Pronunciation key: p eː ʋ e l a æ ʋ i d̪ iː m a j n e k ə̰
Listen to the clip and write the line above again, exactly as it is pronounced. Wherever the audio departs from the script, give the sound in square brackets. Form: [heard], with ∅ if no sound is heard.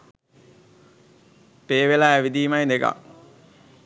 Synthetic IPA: p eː ʋ e l a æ ʋ i d̪ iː m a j n e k [a̰]